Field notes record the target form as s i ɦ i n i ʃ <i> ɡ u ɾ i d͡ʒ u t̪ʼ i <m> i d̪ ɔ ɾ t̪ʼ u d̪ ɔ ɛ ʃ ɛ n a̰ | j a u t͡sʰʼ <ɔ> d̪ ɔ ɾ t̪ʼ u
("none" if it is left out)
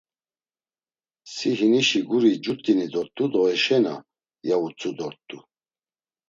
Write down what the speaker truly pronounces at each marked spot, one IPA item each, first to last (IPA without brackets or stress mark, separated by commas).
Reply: i, n, u